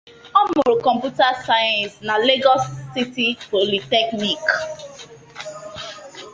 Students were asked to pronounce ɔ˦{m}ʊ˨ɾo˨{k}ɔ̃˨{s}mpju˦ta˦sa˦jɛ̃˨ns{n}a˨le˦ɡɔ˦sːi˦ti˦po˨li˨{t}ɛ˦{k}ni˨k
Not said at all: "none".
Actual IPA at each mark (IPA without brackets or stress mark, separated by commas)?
m, k, none, n, t, k